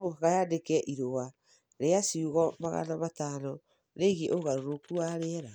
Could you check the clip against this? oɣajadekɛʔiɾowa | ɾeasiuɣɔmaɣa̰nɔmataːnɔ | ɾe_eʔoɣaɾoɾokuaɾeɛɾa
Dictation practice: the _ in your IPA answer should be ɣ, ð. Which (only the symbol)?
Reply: ɣ